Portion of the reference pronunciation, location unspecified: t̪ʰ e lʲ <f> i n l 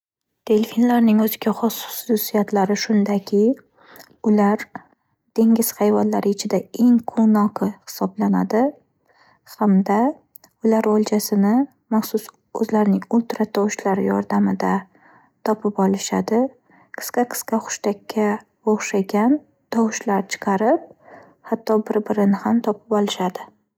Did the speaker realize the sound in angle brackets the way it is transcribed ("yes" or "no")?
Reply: yes